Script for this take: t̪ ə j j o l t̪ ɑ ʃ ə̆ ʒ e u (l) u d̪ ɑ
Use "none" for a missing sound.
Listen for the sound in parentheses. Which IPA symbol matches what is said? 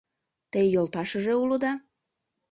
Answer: l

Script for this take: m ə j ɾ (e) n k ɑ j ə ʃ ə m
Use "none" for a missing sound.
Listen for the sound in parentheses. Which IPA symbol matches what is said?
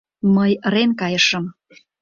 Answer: e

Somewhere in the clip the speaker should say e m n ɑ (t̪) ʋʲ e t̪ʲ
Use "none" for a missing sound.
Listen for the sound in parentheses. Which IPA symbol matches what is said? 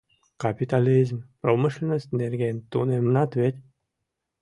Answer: t̪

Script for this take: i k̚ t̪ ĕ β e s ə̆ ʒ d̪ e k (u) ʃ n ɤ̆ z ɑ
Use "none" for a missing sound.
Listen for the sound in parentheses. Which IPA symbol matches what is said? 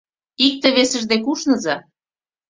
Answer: u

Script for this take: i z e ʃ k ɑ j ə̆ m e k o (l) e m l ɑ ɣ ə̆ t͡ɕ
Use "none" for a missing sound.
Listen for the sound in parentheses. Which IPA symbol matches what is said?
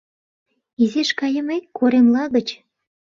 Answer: ɾ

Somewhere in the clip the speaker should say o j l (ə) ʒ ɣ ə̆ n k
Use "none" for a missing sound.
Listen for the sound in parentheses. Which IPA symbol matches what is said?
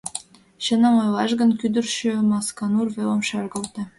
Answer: ɑ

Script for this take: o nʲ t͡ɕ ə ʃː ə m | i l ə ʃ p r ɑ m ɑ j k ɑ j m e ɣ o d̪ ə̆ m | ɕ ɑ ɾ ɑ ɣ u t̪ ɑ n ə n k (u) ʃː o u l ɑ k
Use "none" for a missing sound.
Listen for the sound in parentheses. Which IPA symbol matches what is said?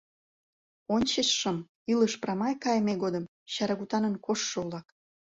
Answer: o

